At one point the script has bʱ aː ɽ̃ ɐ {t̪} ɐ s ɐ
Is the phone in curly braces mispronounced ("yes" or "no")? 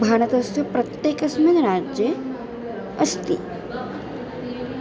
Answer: no